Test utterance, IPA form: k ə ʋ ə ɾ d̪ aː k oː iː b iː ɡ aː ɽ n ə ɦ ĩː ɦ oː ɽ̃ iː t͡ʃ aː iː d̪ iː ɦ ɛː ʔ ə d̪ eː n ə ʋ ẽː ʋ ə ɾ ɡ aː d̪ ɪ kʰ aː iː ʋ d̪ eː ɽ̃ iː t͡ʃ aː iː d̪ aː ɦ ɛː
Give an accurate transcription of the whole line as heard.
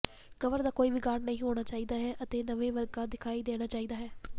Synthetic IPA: k ə ʋ ə ɾ d̪ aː k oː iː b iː ɡ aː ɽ n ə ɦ ĩː ɦ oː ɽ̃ aː t͡ʃ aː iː d̪ aː ɦ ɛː ʔ ə t̪ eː n ə ʋ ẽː ʋ ə ɾ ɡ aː d̪ ɪ kʰ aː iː d̪ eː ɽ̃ aː t͡ʃ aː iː d̪ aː ɦ ɛː